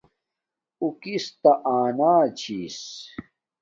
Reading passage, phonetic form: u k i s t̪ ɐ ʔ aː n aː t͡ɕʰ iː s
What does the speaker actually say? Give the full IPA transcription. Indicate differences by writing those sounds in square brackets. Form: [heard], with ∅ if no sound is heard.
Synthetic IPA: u k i s t̪ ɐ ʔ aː n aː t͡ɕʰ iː s